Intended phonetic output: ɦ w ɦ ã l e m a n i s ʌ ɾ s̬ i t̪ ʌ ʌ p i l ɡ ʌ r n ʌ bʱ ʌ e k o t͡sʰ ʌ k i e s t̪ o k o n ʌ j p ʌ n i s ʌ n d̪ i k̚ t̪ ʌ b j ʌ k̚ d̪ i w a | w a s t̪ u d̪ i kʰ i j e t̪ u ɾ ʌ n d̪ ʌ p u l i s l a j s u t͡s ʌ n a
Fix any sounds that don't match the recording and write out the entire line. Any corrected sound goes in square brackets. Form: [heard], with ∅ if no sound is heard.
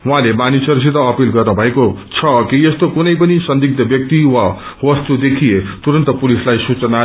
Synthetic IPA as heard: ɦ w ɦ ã l e m a n i s ʌ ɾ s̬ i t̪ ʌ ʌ p i l ɡ ʌ r n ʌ bʱ ʌ e k o t͡sʰ ʌ k i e s t̪ o k [u] n ʌ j p ʌ n i s ʌ n d̪ i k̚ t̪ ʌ b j ʌ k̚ [t̪] i w a | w [ʌ] s t̪ u d̪ [e] kʰ i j e t̪ u ɾ ʌ n [t̪] ʌ p u l i s l a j s u t͡s ʌ n a